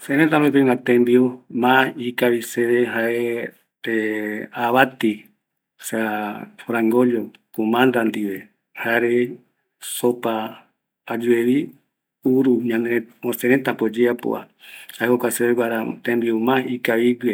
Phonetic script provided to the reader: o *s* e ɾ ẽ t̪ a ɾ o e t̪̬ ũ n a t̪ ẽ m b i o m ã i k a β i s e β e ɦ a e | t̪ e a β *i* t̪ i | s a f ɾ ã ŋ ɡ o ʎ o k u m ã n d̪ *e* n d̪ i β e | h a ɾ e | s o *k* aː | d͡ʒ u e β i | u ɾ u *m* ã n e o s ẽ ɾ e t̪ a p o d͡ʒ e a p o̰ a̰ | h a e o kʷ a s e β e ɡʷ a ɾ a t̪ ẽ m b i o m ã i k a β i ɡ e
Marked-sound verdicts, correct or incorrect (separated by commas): correct, incorrect, incorrect, incorrect, incorrect